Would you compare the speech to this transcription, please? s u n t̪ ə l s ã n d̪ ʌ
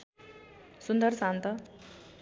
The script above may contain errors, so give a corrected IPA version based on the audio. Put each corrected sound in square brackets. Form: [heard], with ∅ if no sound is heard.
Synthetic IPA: s u n [d̪] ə [ɾ] s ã n [t̪] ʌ